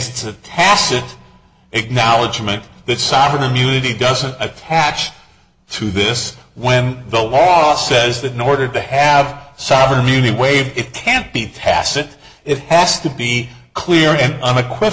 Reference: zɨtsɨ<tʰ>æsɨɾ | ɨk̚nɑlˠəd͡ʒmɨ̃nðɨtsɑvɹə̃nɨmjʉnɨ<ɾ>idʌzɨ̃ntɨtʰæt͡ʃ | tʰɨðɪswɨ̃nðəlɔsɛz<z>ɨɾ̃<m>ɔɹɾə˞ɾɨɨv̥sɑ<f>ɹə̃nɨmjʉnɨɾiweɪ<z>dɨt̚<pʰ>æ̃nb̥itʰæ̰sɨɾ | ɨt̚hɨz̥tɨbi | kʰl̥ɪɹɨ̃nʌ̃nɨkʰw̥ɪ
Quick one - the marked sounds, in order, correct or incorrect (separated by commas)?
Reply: correct, correct, incorrect, incorrect, incorrect, incorrect, incorrect